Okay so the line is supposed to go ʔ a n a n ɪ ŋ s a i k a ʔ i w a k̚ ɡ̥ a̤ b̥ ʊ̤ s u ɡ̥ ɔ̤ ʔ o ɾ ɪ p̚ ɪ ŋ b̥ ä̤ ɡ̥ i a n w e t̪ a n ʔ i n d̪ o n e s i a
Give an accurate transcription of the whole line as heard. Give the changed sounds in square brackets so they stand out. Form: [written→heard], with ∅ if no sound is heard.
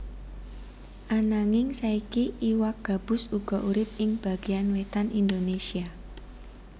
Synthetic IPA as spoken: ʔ a n a [n→ŋ] ɪ ŋ s a i k [a→i] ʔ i w a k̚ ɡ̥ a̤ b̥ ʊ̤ s u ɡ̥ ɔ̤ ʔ [o→u] ɾ ɪ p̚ ɪ ŋ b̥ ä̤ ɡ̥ i a n w e t̪ a n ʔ i n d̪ o n e s i a